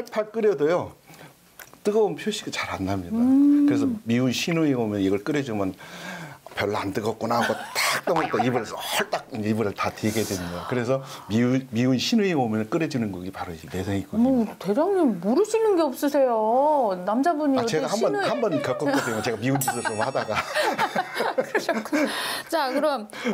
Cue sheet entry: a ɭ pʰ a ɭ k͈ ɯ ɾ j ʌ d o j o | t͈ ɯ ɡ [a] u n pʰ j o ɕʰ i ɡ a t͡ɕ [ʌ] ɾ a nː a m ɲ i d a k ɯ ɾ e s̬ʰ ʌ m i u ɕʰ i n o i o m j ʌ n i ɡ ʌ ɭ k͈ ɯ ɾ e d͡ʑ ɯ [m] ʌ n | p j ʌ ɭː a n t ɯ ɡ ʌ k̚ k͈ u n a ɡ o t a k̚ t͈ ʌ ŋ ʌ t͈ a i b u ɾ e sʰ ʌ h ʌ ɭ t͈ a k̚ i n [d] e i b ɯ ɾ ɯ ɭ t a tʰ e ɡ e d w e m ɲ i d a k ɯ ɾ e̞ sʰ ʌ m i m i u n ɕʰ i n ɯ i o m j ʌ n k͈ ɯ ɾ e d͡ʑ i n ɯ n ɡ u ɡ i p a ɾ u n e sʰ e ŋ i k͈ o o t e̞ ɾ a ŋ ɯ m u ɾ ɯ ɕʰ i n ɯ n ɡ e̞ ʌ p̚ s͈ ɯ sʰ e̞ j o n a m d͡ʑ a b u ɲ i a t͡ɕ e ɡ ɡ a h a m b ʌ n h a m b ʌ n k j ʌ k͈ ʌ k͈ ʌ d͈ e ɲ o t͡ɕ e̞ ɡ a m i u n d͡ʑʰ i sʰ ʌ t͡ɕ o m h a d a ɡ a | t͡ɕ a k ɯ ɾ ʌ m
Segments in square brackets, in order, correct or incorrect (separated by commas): incorrect, incorrect, correct, incorrect